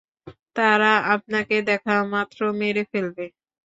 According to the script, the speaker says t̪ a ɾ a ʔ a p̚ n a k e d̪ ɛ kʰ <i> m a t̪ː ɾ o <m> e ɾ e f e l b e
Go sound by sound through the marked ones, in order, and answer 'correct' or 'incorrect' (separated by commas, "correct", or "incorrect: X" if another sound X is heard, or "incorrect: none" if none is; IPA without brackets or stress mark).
incorrect: a, correct